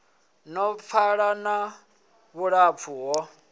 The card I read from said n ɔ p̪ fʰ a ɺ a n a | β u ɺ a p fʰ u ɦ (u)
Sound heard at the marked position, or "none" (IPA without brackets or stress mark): ɔ